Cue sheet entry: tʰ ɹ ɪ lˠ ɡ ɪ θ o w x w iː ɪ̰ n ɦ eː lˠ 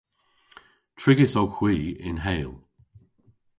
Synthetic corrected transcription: tʰ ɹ ɪ ɡ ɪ s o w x w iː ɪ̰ n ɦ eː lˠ